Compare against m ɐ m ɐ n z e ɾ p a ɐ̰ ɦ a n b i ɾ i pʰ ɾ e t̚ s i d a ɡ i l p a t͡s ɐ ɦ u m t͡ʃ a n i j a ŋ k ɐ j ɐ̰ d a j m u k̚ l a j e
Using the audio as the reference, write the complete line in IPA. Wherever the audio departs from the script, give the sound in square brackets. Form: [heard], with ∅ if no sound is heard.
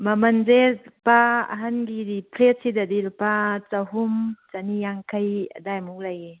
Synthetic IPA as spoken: m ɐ m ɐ n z e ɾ p a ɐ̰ ɦ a n [ɡ] i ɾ i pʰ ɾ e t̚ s i d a [d] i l p a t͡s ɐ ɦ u m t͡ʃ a n i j a ŋ [kʰ] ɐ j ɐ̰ d a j m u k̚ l a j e